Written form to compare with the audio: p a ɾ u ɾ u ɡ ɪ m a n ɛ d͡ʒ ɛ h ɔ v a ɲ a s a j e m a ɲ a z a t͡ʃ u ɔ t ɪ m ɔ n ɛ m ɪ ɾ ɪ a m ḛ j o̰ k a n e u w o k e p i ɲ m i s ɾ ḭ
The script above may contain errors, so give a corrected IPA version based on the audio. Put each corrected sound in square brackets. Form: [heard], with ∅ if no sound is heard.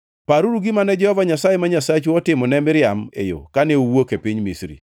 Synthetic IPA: p a ɾ u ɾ u ɡ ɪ m a n ɛ d͡ʒ ɛ h ɔ v a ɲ a s a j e m a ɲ a [s] a t͡ʃ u ɔ t ɪ m ɔ n ɛ m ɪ ɾ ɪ a m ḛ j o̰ k a n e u w o k e p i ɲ m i s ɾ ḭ